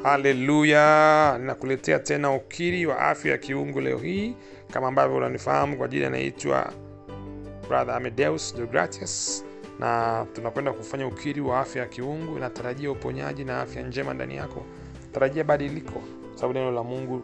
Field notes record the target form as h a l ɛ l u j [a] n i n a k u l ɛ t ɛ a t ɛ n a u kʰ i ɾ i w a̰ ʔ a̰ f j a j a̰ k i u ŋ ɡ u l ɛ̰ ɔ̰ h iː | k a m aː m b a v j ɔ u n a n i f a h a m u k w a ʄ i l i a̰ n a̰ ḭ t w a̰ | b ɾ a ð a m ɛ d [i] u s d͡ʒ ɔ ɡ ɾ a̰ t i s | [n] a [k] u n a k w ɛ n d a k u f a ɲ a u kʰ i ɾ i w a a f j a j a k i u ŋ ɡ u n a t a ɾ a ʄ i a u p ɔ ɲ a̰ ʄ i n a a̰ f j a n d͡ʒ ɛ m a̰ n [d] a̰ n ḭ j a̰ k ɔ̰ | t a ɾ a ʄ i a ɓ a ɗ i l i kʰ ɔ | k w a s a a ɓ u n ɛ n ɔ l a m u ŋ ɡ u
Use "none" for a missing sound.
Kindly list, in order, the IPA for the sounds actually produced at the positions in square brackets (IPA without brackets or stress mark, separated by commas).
a, ɛ, n, t, d